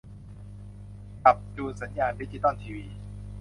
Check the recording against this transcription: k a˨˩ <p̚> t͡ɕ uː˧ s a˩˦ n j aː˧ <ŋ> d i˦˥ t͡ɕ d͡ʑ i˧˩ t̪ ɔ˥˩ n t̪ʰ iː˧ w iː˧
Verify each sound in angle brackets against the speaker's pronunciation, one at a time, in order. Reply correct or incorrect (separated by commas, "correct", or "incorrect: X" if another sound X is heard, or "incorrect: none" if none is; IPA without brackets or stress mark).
correct, incorrect: n